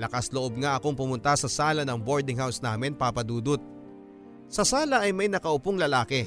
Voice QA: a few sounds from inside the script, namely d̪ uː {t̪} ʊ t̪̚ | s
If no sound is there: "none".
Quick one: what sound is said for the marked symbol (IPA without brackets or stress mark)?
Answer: d̪